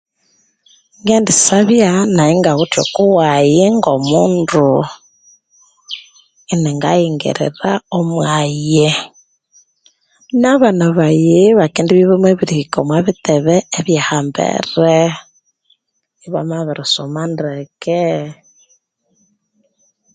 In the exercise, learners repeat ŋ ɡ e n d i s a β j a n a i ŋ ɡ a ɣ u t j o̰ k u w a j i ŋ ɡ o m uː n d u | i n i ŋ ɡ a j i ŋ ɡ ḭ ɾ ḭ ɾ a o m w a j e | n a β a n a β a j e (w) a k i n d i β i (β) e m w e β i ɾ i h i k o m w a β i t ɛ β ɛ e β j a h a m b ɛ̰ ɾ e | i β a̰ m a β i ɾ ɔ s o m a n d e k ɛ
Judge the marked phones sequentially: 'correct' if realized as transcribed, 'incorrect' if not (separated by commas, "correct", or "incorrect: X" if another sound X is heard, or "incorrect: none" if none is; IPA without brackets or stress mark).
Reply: incorrect: β, correct